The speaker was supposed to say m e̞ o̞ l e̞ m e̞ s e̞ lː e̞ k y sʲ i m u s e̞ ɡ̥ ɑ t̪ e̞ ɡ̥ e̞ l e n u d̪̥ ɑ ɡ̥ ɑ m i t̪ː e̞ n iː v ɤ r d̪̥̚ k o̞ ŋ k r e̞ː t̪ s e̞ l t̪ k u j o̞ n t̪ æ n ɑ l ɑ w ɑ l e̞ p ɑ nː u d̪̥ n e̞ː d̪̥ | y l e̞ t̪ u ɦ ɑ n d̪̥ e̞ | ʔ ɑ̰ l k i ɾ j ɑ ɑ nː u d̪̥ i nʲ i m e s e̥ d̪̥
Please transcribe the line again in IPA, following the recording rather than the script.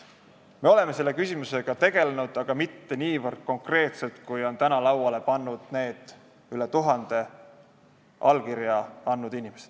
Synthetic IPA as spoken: m e̞ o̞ l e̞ m e̞ s e̞ lː e̞ k y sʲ i m u s e̞ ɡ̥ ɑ t̪ e̞ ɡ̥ e̞ l e n u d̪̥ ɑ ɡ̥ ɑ m i t̪ː e̞ n iː v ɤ r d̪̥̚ k o̞ ŋ k r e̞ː t̪ s e̞ l t̪ k u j o̞ n t̪ æ n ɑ l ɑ w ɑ l e̞ p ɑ nː u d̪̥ n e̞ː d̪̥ | y l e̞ t̪ u ɦ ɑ n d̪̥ e̞ | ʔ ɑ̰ l k i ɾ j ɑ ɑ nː u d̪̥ i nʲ i m e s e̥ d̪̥